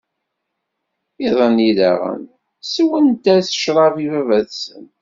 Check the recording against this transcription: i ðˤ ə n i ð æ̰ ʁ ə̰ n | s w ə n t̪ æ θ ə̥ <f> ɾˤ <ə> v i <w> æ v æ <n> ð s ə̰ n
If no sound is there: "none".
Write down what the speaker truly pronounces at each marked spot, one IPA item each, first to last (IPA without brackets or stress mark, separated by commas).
ʃ, ɑ, v, none